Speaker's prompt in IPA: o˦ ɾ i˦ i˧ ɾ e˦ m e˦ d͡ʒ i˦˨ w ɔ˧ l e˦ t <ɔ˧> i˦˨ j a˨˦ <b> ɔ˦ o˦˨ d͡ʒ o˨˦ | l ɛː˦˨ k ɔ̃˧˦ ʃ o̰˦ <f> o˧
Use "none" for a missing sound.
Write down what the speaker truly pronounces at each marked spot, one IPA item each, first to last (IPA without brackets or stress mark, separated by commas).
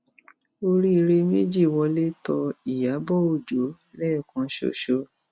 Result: ɔ˧, b, ʃ